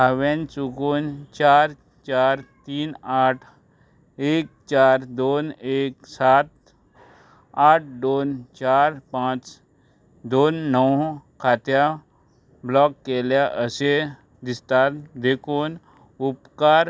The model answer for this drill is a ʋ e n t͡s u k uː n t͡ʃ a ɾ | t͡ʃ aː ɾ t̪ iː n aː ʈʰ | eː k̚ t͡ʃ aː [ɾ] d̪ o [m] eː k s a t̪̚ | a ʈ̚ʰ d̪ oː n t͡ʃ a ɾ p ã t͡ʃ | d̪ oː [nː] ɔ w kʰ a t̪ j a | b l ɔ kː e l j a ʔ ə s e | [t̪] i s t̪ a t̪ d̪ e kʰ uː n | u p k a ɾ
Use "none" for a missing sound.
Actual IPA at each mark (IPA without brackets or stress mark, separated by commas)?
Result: ɾ, n, nː, d̪